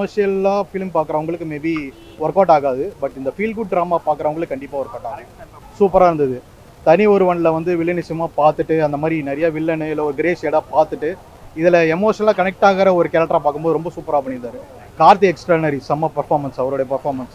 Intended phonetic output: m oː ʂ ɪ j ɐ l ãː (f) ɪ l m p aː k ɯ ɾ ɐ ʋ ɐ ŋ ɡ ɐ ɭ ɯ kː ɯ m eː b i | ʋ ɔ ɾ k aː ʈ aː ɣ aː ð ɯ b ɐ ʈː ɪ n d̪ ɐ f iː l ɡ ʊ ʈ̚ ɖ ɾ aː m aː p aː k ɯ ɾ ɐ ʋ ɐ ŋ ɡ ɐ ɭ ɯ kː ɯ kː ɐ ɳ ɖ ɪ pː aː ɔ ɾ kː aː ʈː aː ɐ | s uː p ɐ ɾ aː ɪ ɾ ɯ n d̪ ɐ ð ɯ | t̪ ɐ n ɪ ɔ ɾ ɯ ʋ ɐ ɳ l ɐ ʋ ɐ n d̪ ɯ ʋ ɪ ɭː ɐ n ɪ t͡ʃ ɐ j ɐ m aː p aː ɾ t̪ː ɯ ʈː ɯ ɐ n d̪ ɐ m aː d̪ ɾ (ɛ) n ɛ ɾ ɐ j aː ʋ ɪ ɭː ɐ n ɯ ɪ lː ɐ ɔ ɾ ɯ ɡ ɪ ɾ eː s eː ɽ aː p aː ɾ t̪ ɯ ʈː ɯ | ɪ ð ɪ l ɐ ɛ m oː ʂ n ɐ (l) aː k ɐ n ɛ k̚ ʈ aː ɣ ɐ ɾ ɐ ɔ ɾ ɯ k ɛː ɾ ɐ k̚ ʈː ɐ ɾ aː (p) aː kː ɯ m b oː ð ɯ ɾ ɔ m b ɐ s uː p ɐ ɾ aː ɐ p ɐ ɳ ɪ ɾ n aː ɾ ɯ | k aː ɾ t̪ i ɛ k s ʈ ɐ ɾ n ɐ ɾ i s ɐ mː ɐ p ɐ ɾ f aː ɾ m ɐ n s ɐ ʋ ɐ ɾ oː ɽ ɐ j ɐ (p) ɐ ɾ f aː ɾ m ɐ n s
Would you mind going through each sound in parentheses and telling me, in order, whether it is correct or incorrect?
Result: correct, incorrect: i, correct, correct, correct

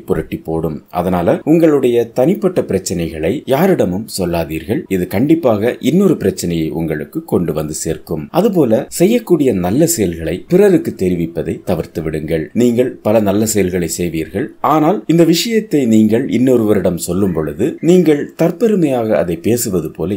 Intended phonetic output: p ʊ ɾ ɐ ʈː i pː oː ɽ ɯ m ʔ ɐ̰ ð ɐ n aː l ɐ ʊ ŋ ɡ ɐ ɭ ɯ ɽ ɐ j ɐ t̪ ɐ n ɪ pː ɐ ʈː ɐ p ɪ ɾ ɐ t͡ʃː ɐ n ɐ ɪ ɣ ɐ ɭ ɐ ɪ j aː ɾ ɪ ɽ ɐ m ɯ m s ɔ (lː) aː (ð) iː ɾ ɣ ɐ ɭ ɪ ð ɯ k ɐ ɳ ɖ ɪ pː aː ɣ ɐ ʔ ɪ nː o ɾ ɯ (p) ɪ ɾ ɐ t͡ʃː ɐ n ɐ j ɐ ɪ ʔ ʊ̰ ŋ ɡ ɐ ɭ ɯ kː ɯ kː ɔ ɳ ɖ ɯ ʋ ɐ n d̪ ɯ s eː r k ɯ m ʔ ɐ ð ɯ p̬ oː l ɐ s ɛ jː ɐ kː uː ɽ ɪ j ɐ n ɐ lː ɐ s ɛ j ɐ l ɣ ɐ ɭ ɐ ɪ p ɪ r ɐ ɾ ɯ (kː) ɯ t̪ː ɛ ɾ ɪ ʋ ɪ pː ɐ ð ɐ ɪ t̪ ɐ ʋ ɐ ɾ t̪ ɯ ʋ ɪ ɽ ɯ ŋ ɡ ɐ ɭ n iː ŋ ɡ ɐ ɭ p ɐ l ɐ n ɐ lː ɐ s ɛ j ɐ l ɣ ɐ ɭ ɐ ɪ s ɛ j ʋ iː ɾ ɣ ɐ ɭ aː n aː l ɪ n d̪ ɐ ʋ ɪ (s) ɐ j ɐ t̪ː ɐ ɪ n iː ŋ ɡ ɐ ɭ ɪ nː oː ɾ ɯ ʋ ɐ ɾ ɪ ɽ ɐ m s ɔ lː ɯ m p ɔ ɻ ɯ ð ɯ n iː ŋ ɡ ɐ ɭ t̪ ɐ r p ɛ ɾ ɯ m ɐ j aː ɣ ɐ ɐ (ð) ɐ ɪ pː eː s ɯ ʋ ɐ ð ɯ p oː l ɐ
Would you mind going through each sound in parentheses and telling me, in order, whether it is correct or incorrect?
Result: correct, correct, correct, correct, incorrect: ʂ, correct

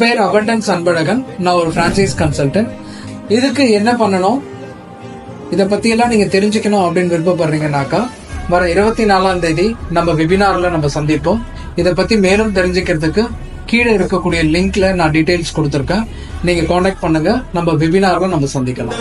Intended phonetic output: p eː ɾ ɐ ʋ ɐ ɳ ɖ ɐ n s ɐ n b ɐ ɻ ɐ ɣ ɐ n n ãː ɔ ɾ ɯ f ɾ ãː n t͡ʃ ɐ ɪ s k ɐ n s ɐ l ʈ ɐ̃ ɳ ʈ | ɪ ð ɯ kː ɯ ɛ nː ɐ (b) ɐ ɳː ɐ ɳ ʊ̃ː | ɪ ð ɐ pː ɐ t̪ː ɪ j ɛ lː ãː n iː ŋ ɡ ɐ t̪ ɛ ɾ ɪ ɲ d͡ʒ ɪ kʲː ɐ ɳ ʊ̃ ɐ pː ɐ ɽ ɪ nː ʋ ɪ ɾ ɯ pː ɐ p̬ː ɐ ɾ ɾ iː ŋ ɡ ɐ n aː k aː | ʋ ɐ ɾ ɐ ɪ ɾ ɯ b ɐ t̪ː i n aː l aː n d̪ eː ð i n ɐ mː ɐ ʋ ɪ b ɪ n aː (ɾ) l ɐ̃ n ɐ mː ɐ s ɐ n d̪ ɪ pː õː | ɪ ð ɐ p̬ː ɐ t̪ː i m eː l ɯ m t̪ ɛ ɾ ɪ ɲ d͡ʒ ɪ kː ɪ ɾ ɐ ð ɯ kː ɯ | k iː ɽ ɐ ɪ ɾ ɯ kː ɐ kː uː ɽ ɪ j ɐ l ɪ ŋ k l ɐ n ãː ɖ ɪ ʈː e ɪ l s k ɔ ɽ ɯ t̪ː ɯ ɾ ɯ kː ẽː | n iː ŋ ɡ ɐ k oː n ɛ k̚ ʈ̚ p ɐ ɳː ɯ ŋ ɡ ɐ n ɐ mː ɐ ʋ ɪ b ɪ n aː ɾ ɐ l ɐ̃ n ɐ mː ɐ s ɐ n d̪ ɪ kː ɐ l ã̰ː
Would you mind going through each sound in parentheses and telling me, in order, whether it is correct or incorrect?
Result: incorrect: p, correct

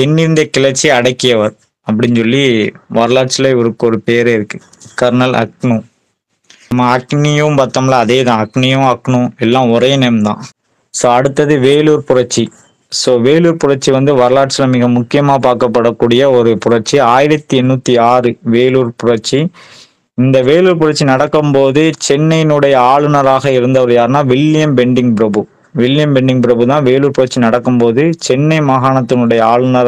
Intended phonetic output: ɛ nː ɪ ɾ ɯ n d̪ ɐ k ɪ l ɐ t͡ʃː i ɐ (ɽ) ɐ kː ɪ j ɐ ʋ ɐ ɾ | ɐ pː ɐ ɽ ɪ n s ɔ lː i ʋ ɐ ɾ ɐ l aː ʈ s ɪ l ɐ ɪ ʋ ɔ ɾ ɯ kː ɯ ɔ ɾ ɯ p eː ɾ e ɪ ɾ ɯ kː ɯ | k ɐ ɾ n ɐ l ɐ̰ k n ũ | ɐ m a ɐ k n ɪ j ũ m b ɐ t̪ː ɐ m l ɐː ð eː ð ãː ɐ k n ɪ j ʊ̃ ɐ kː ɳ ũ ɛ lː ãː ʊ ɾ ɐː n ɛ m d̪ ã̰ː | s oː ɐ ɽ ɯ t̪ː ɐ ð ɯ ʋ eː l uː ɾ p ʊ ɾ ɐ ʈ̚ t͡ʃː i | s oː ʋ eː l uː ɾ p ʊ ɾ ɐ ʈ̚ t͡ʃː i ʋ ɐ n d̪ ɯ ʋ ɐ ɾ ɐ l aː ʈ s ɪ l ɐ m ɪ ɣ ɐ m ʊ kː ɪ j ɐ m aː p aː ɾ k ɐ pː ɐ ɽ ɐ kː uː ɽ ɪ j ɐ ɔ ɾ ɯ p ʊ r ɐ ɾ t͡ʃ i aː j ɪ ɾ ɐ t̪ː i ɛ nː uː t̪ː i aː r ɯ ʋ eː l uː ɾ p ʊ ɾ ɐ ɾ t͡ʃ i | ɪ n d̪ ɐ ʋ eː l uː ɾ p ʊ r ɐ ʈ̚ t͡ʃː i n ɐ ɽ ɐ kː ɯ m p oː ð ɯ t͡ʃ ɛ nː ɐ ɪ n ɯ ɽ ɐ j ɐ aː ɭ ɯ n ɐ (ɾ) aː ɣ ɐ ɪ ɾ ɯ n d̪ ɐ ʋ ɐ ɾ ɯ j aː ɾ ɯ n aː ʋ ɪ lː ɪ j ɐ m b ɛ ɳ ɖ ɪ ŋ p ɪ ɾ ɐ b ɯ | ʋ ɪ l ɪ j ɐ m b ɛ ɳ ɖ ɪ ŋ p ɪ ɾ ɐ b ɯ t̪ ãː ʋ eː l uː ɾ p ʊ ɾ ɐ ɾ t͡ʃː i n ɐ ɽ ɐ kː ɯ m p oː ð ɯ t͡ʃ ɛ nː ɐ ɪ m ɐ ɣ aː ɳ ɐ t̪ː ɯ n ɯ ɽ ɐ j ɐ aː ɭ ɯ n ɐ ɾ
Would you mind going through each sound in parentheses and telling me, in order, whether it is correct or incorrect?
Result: correct, correct

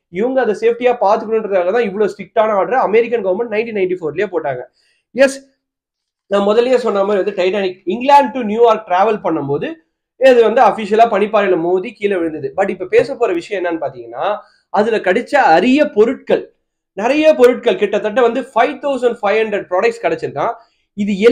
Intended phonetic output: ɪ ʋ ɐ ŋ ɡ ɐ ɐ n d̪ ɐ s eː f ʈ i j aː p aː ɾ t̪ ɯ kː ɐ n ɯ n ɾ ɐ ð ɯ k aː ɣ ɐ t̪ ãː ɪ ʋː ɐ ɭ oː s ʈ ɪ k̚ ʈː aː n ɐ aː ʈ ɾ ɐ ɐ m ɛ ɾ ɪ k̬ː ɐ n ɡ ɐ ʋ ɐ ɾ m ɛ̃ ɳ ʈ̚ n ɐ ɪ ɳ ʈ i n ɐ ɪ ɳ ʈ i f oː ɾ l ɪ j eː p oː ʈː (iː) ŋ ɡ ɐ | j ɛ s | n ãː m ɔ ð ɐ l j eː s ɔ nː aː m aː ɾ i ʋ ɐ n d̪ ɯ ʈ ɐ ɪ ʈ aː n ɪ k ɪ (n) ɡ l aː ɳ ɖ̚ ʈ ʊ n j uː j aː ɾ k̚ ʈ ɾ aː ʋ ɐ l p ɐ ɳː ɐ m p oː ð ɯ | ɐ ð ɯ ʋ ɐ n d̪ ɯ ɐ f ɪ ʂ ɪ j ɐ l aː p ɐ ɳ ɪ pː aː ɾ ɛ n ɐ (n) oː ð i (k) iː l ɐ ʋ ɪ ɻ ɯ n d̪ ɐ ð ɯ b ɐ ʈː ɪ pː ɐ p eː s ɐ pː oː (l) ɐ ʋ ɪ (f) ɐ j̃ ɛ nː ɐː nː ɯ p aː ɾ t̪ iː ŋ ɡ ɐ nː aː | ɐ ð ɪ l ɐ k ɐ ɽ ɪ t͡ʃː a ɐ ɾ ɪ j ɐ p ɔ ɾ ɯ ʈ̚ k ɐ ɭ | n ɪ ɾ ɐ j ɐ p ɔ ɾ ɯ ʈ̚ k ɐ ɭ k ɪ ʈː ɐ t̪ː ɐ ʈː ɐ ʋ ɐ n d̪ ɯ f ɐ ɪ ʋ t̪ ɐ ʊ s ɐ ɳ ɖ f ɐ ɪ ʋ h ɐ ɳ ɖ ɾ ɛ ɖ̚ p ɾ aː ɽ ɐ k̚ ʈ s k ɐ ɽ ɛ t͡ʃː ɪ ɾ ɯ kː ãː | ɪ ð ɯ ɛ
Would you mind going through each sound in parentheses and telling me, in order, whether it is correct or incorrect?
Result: incorrect: aː, incorrect: ŋ, incorrect: m, correct, incorrect: ɾ, incorrect: ʂ

